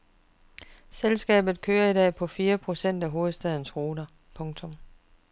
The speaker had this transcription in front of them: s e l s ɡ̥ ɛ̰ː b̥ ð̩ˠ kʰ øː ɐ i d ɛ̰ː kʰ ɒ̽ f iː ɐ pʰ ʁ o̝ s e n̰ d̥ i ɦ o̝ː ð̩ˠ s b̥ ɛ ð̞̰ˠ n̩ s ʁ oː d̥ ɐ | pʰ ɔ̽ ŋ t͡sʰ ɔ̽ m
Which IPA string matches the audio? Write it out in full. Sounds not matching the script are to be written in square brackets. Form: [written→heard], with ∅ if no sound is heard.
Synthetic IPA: s e l s ɡ̥ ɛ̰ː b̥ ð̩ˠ kʰ øː ɐ i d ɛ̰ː [kʰ→pʰ] ɒ̽ f iː ɐ pʰ ʁ o̝ s e n̰ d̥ [i→æ] ɦ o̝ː ð̩ˠ s [b̥→d̥] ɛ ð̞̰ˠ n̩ s ʁ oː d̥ ɐ | pʰ ɔ̽ ŋ t͡sʰ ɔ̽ m